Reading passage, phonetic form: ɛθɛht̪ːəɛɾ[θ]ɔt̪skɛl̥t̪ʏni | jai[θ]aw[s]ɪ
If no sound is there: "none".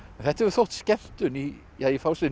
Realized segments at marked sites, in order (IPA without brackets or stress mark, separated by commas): θ, f, s